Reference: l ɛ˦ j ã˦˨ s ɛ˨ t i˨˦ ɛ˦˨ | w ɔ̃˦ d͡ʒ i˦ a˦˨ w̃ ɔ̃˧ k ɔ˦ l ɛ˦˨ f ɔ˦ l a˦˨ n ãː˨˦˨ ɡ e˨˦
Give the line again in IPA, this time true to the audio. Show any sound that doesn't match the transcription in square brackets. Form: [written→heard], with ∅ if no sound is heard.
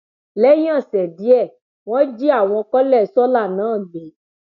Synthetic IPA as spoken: l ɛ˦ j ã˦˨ s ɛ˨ [t→d] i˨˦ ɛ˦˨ | w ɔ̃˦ d͡ʒ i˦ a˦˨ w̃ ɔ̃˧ k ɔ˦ l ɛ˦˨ [f→s] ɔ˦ l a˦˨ n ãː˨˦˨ [ɡ→ɡ͡b] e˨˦